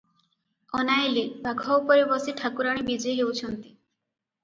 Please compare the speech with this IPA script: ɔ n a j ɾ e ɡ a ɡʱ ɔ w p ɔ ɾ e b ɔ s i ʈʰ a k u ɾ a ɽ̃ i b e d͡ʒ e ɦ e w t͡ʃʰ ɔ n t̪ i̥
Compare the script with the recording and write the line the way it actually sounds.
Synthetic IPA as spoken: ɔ n a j l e b a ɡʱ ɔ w p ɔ ɾ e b ɔ s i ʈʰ a k u ɾ a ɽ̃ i b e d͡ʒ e ɦ e w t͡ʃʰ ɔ n t̪ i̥